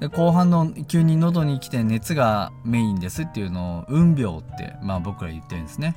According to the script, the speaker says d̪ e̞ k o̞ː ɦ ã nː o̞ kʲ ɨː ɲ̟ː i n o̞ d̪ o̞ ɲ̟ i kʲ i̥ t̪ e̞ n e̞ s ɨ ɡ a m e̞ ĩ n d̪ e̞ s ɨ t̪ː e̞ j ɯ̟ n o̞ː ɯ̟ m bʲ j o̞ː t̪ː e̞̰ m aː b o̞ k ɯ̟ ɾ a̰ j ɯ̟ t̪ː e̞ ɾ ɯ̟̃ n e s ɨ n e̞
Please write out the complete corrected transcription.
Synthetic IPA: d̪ e̞ k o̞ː ɦ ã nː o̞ kʲ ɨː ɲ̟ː i n o̞ d̪ o̞ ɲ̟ i kʲ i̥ t̪ e̞ n e̞ t͡s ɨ ɡ a m e̞ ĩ n d̪ e̞ s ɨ t̪ː e̞ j ɯ̟ n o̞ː ɯ̟̃ m bʲ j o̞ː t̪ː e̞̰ m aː b o̞ k ɯ̟ ɾ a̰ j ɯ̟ t̪ː e̞ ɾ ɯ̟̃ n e s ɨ n e̞